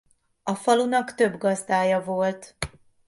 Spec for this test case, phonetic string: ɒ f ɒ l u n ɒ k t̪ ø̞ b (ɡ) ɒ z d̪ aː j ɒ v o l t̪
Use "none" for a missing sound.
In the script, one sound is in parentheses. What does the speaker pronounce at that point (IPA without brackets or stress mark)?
ɡ